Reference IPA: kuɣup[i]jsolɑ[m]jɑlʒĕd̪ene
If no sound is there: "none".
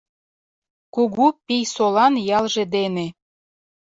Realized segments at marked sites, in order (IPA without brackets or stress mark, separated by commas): i, n